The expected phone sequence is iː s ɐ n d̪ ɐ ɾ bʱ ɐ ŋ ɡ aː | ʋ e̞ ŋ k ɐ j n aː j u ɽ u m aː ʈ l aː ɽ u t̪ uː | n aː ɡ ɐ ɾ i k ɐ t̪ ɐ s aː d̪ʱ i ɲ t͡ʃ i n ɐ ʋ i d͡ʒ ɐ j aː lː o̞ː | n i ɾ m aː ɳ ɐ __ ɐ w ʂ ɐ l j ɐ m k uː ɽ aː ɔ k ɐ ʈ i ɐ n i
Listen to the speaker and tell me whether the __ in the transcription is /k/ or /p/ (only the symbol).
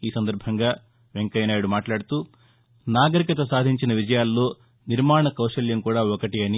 k